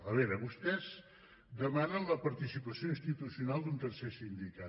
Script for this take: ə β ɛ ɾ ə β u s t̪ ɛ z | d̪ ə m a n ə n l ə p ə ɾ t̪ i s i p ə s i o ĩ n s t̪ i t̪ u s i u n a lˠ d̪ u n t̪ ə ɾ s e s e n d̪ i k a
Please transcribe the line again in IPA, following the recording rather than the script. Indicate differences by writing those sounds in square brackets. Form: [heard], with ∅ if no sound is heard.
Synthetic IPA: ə β ɛ ɾ ə β u s t̪ ɛ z | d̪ ə m a n ə n l ə p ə ɾ t̪ i s i p ə s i o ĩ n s t̪ i t̪ u s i u n a lˠ d̪ u n t̪ ə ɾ s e s [i] n d̪ i k a